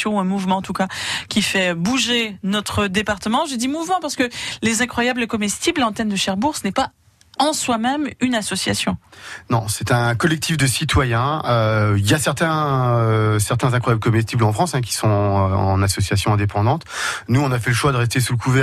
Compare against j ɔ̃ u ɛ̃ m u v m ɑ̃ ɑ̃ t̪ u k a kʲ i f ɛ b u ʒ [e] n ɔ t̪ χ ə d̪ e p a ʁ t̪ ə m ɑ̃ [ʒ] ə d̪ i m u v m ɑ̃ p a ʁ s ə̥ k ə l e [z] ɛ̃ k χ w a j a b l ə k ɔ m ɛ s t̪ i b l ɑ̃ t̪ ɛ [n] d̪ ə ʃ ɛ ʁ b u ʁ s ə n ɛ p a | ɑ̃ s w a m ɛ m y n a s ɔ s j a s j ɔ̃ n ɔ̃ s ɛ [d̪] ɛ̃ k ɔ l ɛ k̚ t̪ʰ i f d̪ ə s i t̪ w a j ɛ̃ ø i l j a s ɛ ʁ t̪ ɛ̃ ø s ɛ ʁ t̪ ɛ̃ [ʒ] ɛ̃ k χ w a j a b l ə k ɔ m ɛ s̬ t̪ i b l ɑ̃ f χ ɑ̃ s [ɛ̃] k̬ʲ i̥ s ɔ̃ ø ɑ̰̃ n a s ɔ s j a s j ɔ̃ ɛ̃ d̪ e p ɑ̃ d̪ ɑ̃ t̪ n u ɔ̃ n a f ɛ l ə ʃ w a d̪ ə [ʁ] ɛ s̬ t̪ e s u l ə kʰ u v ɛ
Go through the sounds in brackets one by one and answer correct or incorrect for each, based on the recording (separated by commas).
correct, correct, correct, correct, incorrect, incorrect, correct, correct